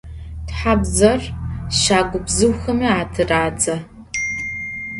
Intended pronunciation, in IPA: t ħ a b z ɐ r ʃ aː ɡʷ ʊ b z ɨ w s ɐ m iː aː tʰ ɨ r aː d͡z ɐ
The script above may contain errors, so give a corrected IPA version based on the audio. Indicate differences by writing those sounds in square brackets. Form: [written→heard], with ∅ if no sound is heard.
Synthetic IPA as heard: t ħ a b z ɐ r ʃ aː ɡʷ ʊ b z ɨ w [s→x] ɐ m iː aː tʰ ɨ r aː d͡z ɐ